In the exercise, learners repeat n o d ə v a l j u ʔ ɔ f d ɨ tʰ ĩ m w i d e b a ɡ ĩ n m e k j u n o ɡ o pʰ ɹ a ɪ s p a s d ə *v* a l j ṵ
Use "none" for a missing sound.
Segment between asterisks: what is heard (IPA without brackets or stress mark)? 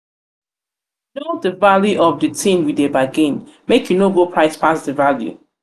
v